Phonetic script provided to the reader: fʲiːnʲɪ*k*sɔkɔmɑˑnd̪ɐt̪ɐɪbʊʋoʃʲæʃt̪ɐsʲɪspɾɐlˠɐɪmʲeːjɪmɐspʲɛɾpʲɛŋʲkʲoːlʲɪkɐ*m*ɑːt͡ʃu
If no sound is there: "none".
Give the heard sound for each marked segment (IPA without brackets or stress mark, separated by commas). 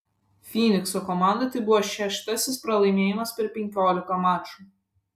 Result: k, m